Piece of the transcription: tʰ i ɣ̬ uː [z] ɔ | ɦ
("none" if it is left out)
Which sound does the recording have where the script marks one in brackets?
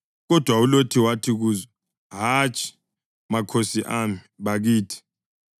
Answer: z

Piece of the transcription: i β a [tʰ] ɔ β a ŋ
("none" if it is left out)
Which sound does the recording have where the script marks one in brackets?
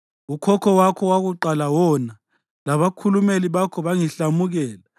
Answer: kʰ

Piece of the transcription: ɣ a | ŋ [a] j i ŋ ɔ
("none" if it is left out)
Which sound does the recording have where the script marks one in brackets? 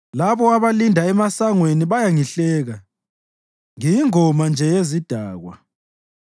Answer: i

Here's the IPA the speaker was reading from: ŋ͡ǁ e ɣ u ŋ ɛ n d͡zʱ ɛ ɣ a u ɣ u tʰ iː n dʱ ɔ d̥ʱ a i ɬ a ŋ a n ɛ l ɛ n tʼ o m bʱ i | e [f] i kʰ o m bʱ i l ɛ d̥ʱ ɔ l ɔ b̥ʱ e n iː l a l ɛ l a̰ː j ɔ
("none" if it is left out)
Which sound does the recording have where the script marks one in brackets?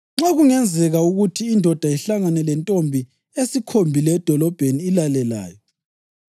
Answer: s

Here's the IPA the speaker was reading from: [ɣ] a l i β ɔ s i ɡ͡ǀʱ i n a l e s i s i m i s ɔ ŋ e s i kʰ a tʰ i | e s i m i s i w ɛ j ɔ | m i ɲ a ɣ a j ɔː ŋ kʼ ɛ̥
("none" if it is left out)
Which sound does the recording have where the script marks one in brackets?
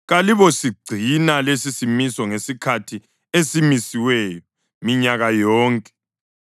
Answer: ɣ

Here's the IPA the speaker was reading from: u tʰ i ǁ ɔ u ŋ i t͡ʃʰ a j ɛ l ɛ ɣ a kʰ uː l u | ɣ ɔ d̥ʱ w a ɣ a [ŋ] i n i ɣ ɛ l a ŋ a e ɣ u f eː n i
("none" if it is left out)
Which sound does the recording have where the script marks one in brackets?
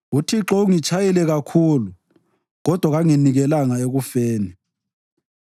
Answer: ŋ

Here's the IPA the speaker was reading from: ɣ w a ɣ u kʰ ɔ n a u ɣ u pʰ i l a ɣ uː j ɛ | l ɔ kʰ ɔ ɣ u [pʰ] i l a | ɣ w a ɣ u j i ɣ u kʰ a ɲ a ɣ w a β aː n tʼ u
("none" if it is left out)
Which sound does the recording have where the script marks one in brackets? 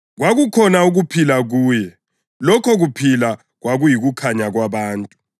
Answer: pʰ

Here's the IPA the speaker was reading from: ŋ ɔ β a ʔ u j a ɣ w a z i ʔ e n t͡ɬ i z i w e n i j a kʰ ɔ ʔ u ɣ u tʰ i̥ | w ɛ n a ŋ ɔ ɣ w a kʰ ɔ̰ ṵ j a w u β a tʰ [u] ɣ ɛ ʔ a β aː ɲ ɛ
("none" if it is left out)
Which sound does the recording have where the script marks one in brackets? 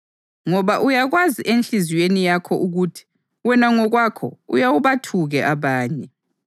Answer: u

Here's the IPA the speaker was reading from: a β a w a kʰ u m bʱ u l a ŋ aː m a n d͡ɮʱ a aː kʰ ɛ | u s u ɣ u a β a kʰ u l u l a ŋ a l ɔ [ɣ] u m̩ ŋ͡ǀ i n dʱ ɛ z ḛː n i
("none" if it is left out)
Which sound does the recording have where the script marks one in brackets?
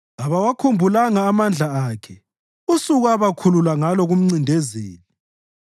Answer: ɣ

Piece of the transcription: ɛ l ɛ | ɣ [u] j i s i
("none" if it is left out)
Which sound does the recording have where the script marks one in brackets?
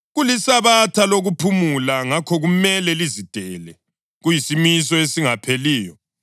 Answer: u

